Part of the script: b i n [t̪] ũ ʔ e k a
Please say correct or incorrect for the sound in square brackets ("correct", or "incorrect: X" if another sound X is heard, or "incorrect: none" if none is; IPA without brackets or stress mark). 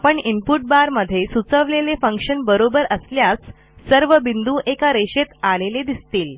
incorrect: d̪